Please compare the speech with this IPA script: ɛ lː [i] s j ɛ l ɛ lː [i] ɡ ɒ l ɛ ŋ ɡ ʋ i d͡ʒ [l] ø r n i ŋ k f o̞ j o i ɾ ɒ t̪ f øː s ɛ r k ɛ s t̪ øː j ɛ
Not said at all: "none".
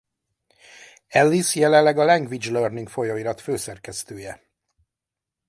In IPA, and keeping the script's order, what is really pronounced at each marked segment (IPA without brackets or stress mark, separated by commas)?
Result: i, ɛ, l